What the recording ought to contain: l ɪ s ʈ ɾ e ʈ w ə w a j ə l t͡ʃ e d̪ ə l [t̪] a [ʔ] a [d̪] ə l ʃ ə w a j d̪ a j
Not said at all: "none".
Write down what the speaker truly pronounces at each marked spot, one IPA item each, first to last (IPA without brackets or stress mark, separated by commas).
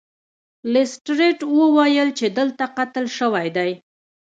t̪, q, t̪